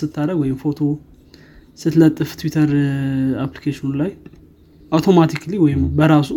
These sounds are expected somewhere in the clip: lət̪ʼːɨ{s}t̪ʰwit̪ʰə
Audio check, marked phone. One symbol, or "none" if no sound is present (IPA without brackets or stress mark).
f